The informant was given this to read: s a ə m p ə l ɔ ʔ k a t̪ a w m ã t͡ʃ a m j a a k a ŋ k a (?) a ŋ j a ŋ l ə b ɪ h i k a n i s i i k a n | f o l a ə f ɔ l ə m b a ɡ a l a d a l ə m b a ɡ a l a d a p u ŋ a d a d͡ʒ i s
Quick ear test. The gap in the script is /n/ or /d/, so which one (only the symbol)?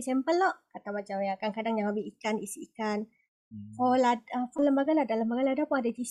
d